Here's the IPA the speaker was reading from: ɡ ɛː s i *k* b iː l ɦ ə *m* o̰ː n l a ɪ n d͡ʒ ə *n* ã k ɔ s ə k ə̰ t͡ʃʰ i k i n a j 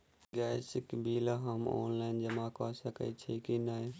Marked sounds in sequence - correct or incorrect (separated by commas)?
correct, correct, incorrect